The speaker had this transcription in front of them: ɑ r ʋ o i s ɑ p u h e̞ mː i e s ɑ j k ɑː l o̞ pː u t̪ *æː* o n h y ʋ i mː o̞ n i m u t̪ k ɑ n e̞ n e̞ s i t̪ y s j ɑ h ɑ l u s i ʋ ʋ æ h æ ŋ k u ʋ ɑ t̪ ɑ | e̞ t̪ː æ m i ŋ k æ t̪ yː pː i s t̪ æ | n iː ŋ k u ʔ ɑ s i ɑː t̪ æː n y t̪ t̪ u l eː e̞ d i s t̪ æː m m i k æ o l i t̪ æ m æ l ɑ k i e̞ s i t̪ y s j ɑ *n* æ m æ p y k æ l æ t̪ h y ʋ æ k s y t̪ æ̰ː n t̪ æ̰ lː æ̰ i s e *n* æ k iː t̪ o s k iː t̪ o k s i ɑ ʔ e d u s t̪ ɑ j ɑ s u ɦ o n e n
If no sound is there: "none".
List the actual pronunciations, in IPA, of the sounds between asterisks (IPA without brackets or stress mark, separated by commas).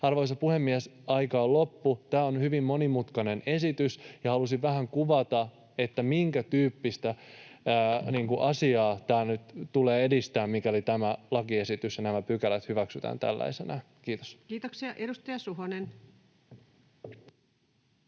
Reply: æː, n, n